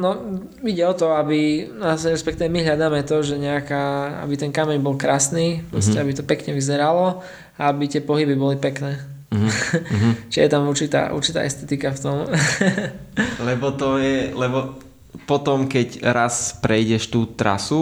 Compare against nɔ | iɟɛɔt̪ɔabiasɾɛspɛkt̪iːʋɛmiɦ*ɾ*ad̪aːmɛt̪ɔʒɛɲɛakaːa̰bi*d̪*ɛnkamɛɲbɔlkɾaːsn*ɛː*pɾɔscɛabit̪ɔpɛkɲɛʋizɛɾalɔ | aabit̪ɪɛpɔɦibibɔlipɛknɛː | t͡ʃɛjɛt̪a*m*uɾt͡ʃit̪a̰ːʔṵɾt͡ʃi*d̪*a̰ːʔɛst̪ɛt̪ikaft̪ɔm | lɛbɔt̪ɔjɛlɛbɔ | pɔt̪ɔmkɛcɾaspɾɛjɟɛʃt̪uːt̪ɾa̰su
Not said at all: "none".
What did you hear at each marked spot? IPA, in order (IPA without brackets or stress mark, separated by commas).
ʎ, t̪, iː, m, t̪